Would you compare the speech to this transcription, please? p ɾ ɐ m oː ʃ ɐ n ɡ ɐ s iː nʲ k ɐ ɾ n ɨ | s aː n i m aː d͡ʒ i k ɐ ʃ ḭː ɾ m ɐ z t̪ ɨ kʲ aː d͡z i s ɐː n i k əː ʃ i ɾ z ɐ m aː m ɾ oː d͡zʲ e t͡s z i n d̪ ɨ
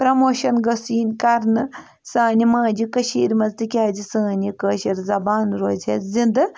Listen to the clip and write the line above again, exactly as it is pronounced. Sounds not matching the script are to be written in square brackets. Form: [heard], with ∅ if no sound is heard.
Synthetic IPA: p ɾ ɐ m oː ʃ ɐ n ɡ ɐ s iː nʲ k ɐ ɾ n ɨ | s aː n i m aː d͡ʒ i k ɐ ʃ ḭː ɾ m ɐ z t̪ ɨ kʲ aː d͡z i s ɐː n i k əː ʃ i ɾ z ɐ [b] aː [n] ɾ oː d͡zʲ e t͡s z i n d̪ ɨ